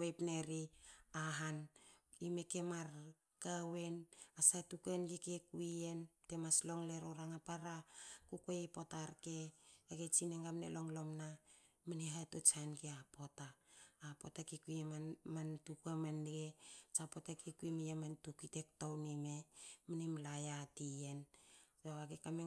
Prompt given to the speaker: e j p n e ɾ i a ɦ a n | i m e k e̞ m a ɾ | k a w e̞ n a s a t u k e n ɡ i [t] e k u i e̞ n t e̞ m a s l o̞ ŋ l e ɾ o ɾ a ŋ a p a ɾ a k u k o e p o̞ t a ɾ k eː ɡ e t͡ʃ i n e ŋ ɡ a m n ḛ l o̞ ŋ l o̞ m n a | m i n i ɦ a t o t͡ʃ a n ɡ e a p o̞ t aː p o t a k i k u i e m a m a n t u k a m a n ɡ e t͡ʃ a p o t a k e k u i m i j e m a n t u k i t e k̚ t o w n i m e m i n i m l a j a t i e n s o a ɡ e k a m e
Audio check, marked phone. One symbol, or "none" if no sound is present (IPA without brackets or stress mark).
k